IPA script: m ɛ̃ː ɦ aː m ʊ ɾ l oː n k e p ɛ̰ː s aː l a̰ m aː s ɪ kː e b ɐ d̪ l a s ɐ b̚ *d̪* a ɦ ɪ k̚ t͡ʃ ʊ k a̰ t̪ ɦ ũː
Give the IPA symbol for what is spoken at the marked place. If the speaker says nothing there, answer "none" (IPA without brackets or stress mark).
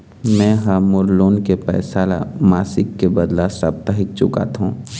t̪